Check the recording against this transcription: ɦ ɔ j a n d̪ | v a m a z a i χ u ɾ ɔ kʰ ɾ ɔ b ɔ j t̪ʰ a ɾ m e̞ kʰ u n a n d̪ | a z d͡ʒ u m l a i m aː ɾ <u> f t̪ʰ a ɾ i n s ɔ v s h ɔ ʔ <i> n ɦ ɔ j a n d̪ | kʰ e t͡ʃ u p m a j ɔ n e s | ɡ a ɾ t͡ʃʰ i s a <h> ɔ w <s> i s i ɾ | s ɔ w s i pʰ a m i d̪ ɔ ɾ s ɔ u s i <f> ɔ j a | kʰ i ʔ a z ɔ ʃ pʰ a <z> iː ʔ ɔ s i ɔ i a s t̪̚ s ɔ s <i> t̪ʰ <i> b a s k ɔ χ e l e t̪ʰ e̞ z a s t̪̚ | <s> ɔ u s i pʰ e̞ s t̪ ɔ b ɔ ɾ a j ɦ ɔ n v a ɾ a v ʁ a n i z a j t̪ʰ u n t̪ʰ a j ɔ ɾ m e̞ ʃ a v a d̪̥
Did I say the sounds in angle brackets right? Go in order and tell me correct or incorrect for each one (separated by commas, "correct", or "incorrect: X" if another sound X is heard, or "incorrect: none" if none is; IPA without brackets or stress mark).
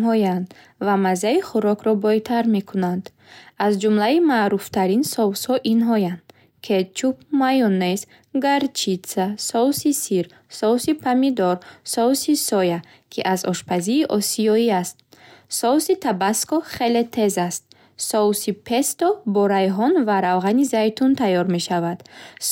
correct, correct, incorrect: s, correct, incorrect: s, correct, correct, incorrect: a, correct